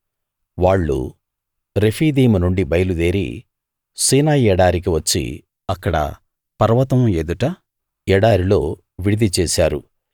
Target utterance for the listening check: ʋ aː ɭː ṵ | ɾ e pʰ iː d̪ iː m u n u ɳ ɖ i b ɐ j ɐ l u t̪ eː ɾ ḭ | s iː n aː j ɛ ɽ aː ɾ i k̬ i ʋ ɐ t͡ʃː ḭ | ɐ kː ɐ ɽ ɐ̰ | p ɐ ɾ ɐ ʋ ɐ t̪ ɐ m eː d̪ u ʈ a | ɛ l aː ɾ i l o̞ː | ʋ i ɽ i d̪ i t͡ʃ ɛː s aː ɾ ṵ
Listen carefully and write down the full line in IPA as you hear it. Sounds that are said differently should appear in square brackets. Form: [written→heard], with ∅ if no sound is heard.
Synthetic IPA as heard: ʋ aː ɭː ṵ | ɾ e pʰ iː d̪ iː m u n u ɳ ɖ i b ɐ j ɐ l u [t̪→d̪] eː ɾ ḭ | s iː n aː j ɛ ɽ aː ɾ i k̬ i ʋ ɐ t͡ʃː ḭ | ɐ kː ɐ ɽ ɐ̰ | p ɐ ɾ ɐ ʋ ɐ t̪ ɐ m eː d̪ u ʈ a | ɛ [l→ɽ] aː ɾ i l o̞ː | ʋ i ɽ i d̪ i t͡ʃ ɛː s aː ɾ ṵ